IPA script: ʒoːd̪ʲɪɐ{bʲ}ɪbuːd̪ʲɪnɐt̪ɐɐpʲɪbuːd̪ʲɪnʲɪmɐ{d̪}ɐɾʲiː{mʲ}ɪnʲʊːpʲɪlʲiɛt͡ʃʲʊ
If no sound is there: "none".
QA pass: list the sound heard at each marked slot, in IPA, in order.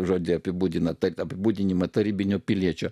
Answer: pʲ, t̪, bʲ

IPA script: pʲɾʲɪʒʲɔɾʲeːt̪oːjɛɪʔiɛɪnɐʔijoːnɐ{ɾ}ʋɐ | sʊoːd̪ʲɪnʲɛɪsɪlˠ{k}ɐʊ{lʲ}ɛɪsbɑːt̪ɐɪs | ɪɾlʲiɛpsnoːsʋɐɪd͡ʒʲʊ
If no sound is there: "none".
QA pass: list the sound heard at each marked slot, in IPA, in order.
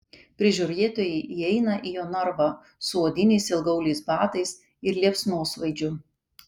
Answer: ɾ, ɡ, lʲ

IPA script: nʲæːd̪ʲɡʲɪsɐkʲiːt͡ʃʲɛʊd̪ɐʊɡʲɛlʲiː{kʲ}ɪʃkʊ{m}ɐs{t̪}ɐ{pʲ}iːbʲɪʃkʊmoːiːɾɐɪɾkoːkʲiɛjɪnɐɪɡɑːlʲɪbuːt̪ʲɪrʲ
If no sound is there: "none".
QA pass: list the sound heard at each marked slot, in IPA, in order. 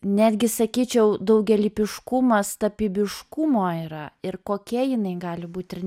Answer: pʲ, m, t̪, pʲ

